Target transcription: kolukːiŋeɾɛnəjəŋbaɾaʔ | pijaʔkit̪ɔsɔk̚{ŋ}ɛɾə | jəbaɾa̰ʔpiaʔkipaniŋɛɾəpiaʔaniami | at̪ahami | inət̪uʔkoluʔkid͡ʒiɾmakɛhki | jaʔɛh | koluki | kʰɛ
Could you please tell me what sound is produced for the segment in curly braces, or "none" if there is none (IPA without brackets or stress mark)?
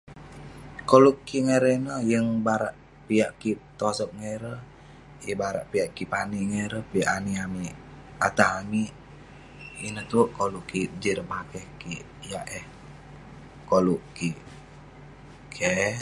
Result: ŋ